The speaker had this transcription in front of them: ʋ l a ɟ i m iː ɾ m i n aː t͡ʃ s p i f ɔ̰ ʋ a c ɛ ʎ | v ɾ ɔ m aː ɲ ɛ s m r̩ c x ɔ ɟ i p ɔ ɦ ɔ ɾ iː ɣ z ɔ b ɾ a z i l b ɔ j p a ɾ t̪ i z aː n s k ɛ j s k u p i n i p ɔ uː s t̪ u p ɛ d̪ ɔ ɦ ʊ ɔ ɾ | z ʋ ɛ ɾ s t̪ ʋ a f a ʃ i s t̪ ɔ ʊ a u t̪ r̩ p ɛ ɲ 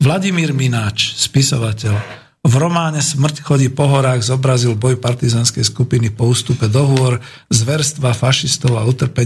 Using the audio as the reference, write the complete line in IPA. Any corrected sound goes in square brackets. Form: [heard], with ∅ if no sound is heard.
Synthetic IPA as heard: ʋ l a ɟ i m iː ɾ m i n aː t͡ʃ s p i [s] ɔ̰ ʋ a c ɛ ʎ | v ɾ ɔ m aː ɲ ɛ s m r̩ c x ɔ ɟ i p ɔ ɦ ɔ ɾ [aː] ɣ z ɔ b ɾ a z i l b ɔ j p a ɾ t̪ i z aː n s k ɛ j s k u p i n i p ɔ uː s t̪ u p ɛ d̪ ɔ ɦ ʊ ɔ ɾ | z ʋ ɛ ɾ s t̪ ʋ a f a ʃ i s t̪ ɔ ʊ a u t̪ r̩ p ɛ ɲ